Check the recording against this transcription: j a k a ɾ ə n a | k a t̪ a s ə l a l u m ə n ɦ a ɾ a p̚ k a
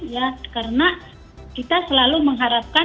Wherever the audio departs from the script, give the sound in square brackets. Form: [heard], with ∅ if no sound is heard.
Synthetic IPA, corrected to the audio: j a k a ɾ ə n a | k [i] t̪ a s ə l a l u m ə [ŋ] ɦ a ɾ a p̚ k a